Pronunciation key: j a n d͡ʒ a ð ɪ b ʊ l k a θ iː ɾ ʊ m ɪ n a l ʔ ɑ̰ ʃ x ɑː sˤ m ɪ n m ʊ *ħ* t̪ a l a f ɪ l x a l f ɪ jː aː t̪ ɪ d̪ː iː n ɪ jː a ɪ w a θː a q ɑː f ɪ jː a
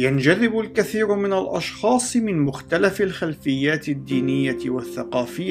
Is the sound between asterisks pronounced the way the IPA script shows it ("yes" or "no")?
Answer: no